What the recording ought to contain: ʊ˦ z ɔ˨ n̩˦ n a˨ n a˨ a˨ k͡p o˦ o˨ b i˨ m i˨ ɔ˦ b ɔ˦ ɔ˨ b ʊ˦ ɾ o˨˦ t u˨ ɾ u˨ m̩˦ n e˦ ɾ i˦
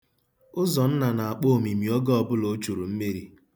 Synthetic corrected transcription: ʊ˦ z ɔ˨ n̩˦ n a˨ n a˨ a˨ k͡p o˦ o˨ m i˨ m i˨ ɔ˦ ɡ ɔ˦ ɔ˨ b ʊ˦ l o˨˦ t͡ʃ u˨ ɾ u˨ m̩˦ m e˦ ɾ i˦